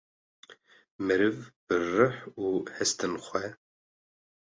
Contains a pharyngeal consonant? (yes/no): yes